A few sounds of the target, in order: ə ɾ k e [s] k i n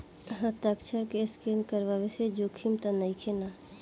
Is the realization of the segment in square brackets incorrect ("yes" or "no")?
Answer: no